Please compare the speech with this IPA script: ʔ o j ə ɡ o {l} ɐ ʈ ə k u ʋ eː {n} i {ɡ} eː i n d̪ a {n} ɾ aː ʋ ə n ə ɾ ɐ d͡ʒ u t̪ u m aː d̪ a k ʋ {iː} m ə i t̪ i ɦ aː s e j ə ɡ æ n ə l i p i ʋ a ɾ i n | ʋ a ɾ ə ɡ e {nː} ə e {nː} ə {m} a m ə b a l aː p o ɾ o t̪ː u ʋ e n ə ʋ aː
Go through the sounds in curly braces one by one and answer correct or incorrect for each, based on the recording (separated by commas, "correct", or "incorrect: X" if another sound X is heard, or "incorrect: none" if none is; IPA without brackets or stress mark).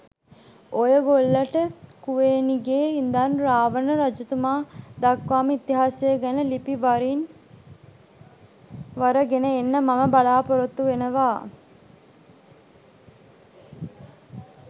incorrect: lː, correct, correct, correct, incorrect: aː, incorrect: n, correct, correct